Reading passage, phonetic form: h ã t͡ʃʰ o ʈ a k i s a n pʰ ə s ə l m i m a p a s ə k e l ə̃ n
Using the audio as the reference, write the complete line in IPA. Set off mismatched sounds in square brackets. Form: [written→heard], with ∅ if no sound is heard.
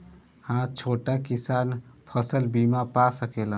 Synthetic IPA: h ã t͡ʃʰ o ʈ a k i s a n pʰ ə s ə l [m→b] i m a p a s ə k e l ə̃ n

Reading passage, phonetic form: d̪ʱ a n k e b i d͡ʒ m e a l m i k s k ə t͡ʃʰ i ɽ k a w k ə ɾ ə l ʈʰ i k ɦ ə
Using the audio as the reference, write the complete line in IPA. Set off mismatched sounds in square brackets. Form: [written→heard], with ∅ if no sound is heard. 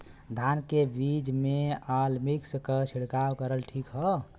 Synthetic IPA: d̪ʱ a n k e b i d͡ʒ m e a l m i k s k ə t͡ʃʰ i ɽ k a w k ə ɾ ə l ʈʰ i k ɦ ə

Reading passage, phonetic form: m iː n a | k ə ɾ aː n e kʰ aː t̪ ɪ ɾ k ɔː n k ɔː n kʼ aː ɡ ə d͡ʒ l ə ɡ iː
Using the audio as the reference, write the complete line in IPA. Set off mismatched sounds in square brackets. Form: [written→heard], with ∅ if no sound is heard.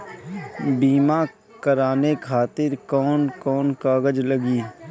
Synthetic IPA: [m→b] iː [n→m] a | k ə ɾ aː n e kʰ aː t̪ ɪ ɾ k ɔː n k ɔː n [kʼ→k] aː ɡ ə d͡ʒ l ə ɡ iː

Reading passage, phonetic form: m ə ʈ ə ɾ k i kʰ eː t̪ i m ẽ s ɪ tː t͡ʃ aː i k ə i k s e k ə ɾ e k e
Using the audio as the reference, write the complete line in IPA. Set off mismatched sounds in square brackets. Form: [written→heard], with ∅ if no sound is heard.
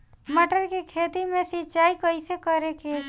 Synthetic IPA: m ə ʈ ə ɾ k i kʰ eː t̪ i m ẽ s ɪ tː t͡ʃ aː i k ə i [k→∅] s e k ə ɾ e k e

